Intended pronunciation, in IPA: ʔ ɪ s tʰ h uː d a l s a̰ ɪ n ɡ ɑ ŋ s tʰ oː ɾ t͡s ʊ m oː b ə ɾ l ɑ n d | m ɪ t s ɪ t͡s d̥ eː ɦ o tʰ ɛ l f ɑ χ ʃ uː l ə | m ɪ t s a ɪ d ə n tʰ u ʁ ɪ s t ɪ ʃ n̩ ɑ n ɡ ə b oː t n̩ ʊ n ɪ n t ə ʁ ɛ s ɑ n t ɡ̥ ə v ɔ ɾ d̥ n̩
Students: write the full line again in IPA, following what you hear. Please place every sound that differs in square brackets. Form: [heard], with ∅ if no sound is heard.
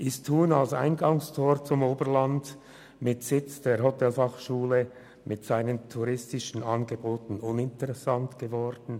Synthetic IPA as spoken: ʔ ɪ s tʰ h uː [n] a l s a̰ ɪ n ɡ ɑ ŋ s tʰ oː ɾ t͡s ʊ m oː b ə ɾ l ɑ n d | m ɪ t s ɪ t͡s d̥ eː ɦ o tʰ ɛ l f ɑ χ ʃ uː l ə | m ɪ t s a ɪ [n] ə n tʰ u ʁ ɪ s t ɪ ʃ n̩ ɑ n ɡ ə b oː t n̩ ʊ n ɪ n t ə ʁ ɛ s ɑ n t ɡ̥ ə v ɔ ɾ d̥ n̩